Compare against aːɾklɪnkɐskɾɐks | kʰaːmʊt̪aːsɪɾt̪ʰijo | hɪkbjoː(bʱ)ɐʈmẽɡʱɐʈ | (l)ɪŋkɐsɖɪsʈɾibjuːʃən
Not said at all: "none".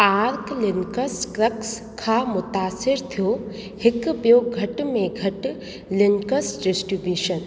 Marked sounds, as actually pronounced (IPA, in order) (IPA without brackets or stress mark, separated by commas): ɡʱ, l